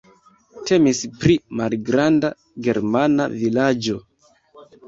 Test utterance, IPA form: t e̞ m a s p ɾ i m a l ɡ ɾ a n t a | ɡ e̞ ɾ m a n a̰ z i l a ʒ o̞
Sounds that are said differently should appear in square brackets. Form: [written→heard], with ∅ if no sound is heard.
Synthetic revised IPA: t e̞ m [a→i] s p ɾ i m a l ɡ ɾ a n [t→d] a | ɡ e̞ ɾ m a n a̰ [z→v] i l a [ʒ→d͡ʒ] o̞